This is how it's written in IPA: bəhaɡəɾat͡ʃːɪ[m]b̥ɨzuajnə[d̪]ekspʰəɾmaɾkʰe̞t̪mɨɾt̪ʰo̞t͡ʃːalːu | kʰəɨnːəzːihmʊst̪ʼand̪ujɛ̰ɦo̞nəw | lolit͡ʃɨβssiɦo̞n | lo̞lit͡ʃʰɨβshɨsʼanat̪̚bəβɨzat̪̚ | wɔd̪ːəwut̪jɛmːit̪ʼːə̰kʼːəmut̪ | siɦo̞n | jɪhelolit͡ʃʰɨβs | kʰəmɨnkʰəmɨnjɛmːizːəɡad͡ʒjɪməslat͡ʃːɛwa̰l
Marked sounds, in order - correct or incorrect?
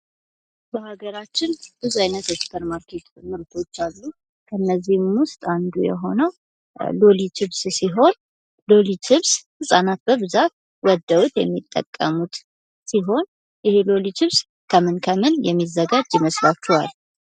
incorrect, incorrect

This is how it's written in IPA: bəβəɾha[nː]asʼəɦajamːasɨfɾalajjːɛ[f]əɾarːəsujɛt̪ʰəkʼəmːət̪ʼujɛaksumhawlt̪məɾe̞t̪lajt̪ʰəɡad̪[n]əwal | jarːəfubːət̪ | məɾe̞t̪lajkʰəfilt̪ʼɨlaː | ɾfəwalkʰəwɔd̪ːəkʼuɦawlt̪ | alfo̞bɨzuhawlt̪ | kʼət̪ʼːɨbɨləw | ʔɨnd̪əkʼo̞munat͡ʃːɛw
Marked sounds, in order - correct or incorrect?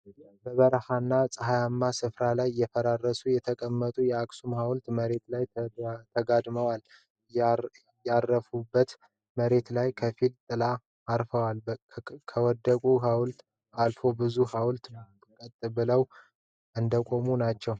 correct, correct, incorrect

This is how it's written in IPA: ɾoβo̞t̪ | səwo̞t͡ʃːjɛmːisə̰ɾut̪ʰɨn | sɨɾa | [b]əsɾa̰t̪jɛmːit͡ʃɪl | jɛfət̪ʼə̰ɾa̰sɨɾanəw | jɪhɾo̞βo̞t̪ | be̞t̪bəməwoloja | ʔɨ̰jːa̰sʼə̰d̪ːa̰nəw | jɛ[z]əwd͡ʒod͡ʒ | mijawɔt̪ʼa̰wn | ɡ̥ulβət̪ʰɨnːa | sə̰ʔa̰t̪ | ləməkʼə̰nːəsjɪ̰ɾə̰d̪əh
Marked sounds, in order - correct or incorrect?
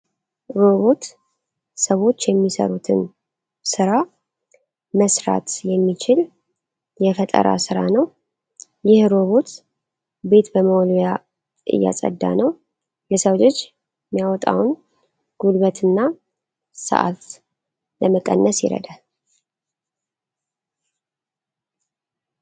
incorrect, incorrect

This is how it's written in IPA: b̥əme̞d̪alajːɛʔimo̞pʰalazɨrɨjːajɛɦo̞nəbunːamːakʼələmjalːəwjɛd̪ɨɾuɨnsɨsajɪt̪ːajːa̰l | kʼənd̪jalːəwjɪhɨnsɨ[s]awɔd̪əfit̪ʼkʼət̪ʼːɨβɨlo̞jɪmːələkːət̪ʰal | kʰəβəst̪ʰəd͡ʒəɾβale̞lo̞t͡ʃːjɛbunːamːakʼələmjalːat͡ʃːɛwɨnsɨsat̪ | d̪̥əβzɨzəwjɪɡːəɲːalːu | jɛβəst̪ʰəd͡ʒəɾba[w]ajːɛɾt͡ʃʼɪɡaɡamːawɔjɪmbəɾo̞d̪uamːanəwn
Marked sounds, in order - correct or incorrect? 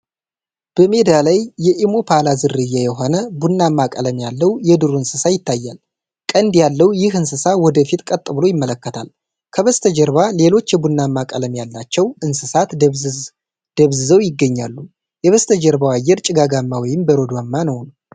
correct, correct

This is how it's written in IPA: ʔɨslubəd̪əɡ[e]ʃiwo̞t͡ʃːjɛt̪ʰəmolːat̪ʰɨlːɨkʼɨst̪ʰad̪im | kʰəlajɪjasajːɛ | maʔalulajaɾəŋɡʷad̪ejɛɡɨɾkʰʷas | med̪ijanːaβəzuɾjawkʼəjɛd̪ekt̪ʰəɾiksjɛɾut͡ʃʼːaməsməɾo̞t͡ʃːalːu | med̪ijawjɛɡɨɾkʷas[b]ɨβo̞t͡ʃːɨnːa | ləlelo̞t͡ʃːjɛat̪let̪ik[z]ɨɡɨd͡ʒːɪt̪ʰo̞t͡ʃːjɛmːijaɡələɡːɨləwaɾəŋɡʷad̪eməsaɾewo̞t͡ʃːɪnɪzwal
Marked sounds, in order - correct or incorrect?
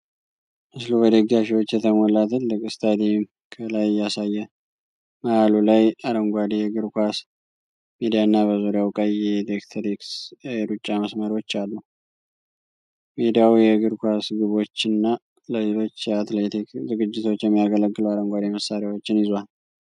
incorrect, incorrect, correct

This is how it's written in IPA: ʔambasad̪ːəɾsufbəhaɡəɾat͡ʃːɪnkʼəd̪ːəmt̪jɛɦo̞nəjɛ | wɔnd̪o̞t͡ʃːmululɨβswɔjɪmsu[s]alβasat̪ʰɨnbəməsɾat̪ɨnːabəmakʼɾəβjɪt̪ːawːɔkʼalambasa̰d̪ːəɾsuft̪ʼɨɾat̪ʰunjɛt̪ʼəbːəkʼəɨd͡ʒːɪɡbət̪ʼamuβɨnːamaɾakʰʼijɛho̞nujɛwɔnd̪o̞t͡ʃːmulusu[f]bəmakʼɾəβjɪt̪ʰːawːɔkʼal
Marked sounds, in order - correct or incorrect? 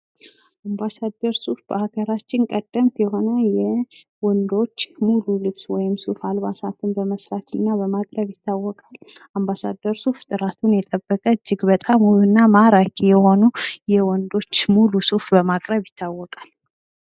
incorrect, correct

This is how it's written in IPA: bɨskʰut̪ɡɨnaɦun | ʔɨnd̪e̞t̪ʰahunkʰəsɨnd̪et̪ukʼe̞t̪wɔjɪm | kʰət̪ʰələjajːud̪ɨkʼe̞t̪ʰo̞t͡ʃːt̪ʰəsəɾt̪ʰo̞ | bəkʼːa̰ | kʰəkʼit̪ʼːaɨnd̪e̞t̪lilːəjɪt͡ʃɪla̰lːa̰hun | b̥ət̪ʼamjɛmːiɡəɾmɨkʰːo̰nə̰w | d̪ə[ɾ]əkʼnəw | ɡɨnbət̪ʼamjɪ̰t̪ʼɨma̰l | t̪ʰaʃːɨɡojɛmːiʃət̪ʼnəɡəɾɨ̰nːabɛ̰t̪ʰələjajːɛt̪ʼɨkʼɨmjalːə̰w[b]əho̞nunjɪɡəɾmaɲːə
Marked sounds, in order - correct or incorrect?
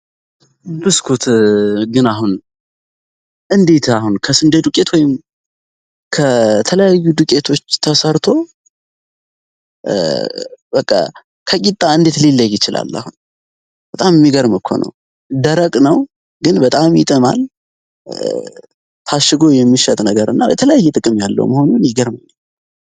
correct, incorrect

